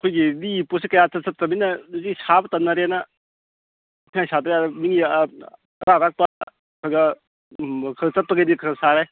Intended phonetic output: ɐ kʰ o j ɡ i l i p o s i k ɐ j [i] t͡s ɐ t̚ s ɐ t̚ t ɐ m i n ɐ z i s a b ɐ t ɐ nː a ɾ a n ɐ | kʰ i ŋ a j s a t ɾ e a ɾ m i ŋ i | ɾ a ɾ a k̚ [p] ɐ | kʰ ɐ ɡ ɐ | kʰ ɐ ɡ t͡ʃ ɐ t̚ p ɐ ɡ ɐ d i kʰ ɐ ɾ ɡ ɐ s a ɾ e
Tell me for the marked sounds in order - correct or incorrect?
incorrect: a, correct

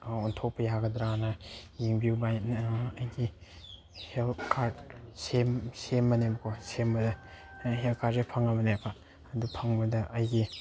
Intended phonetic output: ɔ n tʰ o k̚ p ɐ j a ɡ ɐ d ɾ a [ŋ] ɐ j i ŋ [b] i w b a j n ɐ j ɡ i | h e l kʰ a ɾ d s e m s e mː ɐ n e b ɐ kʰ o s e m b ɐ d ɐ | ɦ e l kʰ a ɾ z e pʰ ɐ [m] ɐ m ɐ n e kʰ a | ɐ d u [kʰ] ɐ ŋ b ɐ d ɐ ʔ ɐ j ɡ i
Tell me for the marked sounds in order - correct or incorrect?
incorrect: n, correct, incorrect: ŋ, incorrect: pʰ

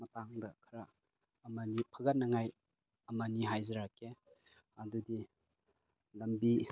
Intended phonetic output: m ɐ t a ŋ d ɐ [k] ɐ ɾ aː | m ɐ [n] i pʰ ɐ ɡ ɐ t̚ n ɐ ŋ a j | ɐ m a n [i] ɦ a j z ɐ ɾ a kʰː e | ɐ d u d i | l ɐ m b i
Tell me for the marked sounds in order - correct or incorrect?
incorrect: kʰ, correct, correct

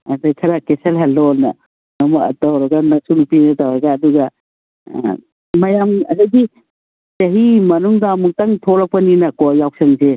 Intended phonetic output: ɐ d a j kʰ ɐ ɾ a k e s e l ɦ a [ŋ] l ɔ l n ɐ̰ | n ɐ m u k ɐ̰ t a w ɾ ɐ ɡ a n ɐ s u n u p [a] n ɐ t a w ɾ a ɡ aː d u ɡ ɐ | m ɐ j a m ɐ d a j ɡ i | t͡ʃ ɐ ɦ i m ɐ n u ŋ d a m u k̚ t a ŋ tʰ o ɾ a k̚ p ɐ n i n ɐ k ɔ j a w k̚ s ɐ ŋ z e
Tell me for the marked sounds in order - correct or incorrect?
incorrect: none, incorrect: i

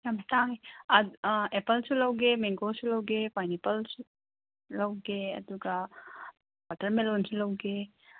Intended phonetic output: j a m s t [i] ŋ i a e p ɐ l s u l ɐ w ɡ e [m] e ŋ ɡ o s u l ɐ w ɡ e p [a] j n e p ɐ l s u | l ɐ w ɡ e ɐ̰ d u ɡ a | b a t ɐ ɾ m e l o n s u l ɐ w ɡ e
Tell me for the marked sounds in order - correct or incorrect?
incorrect: a, correct, correct

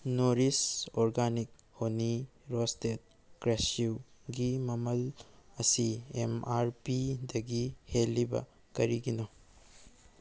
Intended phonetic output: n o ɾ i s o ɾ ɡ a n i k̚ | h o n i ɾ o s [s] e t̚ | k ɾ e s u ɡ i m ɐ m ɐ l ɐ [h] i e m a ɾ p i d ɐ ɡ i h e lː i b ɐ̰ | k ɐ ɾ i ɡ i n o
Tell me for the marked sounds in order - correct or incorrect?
incorrect: t, incorrect: s

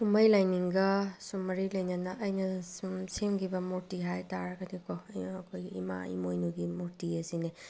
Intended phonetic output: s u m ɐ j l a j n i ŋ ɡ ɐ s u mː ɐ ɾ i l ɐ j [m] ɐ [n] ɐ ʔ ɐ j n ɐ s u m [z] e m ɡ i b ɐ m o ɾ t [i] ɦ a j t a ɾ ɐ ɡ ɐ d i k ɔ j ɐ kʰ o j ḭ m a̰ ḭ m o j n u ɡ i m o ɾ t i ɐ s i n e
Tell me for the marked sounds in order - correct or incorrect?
incorrect: n, correct, incorrect: s, correct

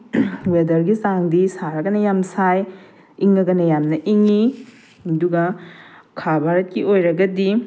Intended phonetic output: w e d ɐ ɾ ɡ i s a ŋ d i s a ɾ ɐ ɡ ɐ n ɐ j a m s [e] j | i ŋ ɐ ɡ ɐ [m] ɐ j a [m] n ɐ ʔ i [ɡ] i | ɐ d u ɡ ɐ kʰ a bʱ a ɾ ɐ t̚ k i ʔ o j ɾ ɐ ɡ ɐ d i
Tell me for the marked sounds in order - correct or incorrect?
incorrect: a, incorrect: n, correct, incorrect: ŋ

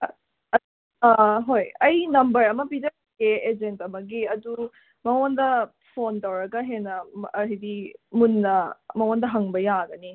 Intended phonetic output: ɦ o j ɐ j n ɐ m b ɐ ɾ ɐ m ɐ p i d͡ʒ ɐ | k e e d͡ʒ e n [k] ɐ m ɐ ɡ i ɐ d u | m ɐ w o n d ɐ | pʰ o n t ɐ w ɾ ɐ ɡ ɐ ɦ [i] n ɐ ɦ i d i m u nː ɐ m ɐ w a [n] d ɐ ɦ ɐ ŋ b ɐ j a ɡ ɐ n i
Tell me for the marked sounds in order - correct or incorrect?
incorrect: t, incorrect: e, correct

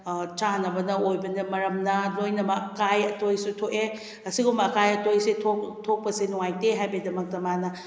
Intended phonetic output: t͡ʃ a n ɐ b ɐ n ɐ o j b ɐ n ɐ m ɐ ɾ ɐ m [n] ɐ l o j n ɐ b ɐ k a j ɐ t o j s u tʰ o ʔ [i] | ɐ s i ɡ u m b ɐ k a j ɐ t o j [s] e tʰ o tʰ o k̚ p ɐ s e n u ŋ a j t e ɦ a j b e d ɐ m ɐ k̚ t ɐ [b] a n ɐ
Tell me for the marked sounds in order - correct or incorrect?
correct, incorrect: e, correct, incorrect: m

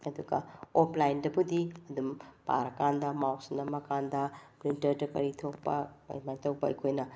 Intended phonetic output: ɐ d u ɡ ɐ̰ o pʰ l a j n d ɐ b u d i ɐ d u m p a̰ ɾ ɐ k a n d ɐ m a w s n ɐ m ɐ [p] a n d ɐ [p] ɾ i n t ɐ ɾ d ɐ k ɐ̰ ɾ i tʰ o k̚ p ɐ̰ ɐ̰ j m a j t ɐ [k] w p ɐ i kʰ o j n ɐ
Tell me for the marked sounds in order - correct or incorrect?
incorrect: k, correct, incorrect: none

